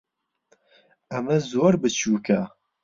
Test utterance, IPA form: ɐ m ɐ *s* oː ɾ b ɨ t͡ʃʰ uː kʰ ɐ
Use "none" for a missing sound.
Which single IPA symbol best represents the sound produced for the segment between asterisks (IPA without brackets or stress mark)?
z